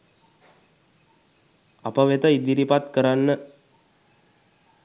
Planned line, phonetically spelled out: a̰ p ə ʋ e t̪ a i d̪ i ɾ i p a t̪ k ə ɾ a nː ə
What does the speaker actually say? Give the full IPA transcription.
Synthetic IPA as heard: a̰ p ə ʋ e t̪ ə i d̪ i ɾ i p a t̪ k ə ɾ a nː ə